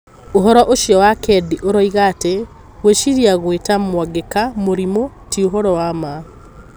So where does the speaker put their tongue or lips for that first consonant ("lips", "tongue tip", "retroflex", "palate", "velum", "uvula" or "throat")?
throat